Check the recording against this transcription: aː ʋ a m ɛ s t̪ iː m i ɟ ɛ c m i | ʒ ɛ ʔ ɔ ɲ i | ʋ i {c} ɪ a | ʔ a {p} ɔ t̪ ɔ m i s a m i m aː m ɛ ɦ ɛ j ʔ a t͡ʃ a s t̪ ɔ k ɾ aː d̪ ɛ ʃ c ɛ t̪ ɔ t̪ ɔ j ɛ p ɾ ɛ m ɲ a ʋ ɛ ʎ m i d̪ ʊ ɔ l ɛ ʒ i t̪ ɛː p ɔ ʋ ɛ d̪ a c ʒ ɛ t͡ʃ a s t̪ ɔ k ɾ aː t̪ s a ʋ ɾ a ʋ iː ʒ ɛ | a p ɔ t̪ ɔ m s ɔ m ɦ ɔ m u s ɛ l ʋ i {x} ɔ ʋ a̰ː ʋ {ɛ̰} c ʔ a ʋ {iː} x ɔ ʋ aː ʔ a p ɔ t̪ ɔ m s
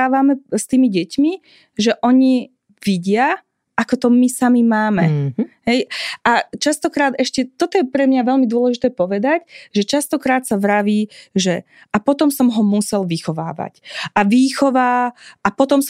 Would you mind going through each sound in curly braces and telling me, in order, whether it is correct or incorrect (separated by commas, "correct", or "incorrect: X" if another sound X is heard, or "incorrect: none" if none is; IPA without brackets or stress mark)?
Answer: incorrect: ɟ, incorrect: k, correct, incorrect: a̰, correct